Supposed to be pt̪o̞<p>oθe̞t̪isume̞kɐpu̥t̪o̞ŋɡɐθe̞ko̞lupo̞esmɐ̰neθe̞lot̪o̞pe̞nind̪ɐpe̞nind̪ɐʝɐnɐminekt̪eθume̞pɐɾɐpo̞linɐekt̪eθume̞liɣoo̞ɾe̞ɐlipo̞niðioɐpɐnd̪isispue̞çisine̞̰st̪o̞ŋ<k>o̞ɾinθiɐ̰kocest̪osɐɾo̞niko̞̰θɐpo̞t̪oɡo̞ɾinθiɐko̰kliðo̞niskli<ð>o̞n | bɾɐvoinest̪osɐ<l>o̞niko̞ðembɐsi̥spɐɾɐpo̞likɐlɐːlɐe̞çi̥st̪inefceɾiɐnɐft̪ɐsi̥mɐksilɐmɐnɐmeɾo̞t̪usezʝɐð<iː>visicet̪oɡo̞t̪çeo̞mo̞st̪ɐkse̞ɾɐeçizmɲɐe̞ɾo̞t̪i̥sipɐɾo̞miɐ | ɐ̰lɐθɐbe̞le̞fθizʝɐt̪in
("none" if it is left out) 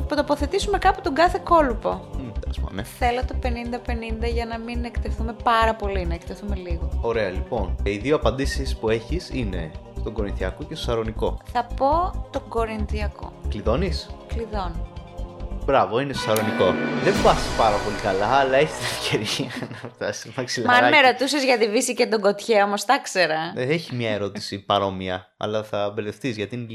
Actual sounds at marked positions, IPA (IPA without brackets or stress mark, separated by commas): p, ɡ, ð, ɾ, i